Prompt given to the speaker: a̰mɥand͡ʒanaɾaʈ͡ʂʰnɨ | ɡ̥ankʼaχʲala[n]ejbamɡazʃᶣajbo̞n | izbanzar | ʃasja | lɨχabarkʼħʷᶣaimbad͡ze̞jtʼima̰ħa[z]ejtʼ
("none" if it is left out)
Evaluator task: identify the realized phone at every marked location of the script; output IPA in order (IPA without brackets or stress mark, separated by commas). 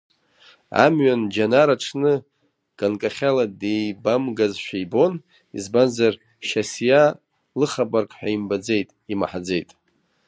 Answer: d, d͡z